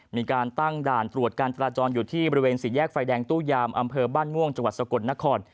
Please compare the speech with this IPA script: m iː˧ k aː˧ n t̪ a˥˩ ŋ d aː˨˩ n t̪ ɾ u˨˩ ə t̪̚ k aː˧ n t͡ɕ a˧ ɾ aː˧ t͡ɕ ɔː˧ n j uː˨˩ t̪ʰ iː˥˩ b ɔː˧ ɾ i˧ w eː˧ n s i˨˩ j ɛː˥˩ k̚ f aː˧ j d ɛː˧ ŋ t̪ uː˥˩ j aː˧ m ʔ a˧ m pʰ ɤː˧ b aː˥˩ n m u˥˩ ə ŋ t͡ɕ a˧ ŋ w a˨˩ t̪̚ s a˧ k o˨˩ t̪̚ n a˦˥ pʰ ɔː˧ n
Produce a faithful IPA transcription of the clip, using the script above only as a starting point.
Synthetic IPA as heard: m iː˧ k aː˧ n t̪ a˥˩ ŋ d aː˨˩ n t̪ ɾ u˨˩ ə t̪̚ k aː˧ n t͡ɕ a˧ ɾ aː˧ t͡ɕ ɔː˧ n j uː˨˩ t̪ʰ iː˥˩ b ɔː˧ ɾ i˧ w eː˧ n s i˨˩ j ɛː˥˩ k̚ f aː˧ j d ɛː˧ ŋ t̪ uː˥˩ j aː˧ m ʔ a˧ m pʰ ɤː˧ b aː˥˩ n m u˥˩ ə ŋ t͡ɕ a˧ ŋ w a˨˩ t̪̚ s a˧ k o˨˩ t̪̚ n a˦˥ kʰ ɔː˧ n